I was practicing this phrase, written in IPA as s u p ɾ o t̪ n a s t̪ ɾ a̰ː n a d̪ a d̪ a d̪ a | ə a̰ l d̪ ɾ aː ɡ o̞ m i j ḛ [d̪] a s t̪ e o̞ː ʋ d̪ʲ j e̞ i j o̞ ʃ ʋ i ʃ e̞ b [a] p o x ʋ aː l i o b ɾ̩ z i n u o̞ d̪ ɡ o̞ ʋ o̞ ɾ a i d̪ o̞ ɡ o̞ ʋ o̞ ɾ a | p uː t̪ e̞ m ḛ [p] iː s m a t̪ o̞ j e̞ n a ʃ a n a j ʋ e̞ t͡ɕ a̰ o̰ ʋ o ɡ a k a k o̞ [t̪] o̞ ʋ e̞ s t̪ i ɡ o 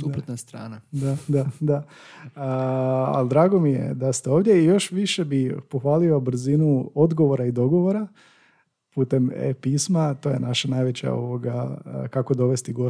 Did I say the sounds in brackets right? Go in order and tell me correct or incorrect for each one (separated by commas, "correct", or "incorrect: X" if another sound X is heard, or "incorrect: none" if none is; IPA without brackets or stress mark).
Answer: correct, incorrect: i, correct, incorrect: d̪